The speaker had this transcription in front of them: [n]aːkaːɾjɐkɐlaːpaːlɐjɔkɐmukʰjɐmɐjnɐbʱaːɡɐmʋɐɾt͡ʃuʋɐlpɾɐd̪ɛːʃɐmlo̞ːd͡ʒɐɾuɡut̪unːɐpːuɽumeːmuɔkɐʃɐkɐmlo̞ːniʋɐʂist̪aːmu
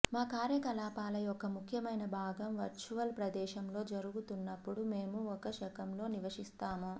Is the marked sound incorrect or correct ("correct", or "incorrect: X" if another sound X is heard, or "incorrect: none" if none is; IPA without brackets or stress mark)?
incorrect: m